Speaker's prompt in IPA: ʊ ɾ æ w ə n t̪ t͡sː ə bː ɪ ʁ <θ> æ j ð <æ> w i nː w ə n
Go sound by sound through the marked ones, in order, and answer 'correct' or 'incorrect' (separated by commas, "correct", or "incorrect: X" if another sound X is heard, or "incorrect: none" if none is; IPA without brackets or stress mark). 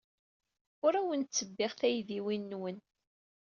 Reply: correct, incorrect: i